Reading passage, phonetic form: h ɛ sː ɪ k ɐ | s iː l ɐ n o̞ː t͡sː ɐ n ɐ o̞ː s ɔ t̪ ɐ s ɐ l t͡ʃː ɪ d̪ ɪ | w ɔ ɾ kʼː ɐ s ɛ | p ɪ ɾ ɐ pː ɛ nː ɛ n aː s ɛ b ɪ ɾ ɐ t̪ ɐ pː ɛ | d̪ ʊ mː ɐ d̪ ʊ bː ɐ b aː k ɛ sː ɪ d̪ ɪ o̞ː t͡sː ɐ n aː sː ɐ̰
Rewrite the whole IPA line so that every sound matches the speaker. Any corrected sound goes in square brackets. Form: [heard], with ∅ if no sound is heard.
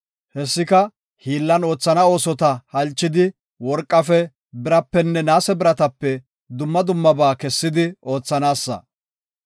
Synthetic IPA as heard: h ɛ sː ɪ k ɐ | [h] iː [lː] ɐ n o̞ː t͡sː ɐ n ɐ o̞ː s ɔ t̪ ɐ [h] ɐ l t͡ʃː ɪ d̪ ɪ | w ɔ ɾ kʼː ɐ [f] ɛ | [b] ɪ ɾ ɐ pː ɛ nː ɛ n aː s ɛ b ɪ ɾ ɐ t̪ ɐ pː ɛ | d̪ ʊ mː ɐ d̪ ʊ [mː] ɐ b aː k ɛ sː ɪ d̪ ɪ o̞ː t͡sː ɐ n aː sː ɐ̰